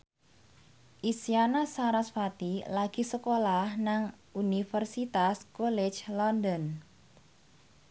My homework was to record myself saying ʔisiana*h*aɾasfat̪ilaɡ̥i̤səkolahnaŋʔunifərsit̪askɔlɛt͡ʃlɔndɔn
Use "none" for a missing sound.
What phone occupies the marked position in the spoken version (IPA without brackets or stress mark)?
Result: s